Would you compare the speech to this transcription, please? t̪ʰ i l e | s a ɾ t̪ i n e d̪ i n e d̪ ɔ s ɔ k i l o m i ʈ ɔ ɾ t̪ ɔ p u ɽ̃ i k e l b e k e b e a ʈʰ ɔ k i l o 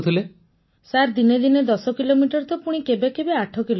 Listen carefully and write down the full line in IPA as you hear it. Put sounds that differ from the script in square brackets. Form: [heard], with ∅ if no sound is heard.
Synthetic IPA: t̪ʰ i l e | s a ɾ [d̪] i n e d̪ i n e d̪ ɔ s ɔ k i l o m i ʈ ɔ ɾ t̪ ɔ p u ɽ̃ i k e [∅] b e k e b e a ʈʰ ɔ k i l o